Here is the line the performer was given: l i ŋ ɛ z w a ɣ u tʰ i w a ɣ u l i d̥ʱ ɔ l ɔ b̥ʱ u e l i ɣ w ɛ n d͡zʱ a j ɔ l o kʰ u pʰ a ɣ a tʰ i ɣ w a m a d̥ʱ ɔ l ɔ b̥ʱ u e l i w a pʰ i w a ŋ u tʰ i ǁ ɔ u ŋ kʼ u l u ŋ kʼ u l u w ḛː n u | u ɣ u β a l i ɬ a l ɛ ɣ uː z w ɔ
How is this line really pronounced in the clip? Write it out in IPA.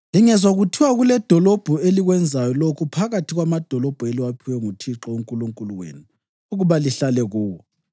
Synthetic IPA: l i ŋ ɛ z w a ɣ u tʰ i w a ɣ u l ɛ d̥ʱ ɔ l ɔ b̥ʱ u e l i ɣ w ɛ n d͡zʱ a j ɔ l o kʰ u pʰ a ɣ a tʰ i ɣ w a m a d̥ʱ ɔ l ɔ b̥ʱ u e l i w a pʰ i w ɛ ŋ u tʰ i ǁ ɔ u ŋ kʼ u l u ŋ kʼ u l u w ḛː n u | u ɣ u β a l i ɬ a l ɛ ɣ uː w ɔ